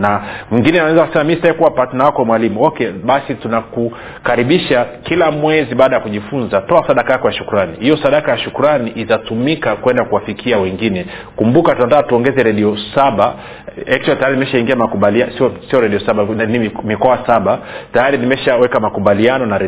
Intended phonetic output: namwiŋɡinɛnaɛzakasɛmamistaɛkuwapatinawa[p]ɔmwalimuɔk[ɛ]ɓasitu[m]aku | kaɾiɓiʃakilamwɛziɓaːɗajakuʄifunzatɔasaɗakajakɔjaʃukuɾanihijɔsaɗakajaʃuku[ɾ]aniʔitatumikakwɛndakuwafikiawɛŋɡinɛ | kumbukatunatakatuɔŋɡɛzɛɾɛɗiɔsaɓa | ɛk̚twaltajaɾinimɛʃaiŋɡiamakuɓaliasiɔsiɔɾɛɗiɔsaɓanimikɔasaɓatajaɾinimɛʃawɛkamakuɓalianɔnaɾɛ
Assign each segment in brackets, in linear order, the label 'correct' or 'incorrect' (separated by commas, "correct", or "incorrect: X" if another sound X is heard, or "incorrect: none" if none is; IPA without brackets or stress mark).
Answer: incorrect: k, correct, incorrect: n, correct